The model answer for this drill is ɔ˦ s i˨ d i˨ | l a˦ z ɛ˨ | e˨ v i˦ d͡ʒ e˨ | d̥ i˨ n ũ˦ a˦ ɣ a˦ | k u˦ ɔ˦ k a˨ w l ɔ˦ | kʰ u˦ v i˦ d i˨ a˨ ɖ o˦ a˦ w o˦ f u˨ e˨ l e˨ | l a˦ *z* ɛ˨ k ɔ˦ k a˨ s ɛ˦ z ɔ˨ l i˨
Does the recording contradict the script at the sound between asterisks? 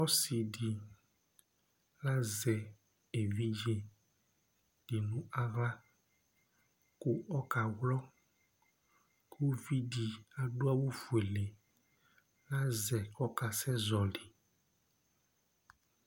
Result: no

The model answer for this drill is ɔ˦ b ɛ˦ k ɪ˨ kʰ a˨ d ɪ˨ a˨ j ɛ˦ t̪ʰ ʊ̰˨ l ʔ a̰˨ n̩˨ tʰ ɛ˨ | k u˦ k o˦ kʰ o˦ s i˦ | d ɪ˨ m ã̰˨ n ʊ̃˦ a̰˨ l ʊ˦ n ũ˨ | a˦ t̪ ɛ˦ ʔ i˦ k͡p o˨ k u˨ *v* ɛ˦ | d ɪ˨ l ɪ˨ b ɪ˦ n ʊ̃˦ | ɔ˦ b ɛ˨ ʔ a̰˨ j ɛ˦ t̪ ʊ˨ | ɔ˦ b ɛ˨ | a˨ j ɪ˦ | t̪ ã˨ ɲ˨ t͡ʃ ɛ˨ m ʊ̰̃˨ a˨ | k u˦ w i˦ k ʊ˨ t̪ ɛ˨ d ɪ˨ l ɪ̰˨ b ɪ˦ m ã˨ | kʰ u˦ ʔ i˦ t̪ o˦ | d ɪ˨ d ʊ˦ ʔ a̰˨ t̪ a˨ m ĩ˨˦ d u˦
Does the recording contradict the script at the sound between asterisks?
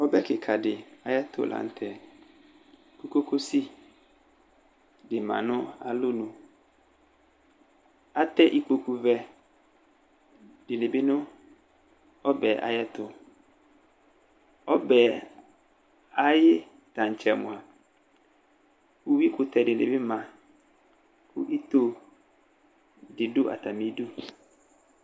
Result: no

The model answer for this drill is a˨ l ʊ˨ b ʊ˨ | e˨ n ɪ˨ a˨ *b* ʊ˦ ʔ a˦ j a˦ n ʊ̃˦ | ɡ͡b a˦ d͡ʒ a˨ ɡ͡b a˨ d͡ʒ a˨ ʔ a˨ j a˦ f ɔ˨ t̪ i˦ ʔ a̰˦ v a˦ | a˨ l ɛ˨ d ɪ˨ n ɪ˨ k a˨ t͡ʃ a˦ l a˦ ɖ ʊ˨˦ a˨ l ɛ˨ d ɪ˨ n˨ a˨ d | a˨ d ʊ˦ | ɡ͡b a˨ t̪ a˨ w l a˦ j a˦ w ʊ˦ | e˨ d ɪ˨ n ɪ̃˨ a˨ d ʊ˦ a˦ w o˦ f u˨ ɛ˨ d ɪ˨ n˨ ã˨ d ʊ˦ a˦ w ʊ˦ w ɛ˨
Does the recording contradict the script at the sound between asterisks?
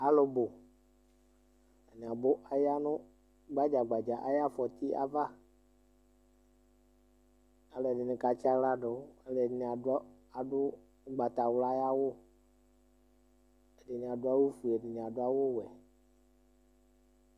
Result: no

